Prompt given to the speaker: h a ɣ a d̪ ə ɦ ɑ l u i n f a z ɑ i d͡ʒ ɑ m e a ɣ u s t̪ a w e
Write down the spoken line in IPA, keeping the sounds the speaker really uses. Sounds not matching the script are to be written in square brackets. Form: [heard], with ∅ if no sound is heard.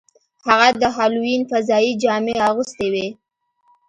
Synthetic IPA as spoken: h a ɣ a d̪ ə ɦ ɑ l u i n f a z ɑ i d͡ʒ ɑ m e a ɣ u s t̪ [e] w e